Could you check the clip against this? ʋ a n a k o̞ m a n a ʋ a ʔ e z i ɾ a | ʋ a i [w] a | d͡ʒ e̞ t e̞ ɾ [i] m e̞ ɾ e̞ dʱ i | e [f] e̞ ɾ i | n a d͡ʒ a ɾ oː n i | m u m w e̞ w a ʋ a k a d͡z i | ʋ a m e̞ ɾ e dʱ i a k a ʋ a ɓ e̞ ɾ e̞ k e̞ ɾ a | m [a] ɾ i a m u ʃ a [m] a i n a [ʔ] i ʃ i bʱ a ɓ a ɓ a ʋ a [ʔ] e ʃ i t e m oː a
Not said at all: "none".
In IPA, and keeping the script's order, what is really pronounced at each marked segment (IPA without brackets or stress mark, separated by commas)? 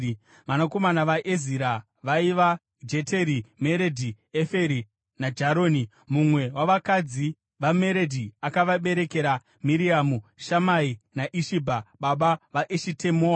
ʋ, i, f, i, m, ʔ, ʔ